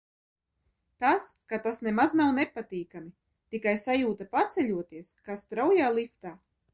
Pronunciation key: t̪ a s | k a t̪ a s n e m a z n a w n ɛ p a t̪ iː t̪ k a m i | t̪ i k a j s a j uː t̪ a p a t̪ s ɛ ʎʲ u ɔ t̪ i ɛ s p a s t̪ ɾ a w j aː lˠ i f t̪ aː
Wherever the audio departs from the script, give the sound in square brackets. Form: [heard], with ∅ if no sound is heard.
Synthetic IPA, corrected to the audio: t̪ a s | k a t̪ a s n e m a z n a w n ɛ p a t̪ iː [∅] k a m i | t̪ i k a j s a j uː t̪ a p a t̪ s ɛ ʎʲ u ɔ t̪ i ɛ s [k] a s t̪ ɾ a w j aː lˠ i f t̪ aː